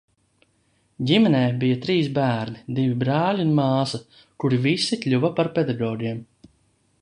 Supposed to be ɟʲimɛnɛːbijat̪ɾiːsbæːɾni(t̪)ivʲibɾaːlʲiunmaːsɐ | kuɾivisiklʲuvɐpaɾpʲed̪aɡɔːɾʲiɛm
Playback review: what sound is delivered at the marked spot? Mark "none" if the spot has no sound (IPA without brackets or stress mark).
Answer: d̪